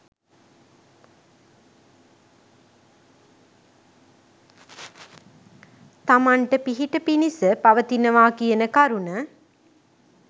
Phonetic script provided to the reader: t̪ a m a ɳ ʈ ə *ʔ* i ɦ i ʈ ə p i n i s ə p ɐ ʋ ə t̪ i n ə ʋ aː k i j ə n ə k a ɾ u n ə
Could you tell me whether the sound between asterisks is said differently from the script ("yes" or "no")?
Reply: yes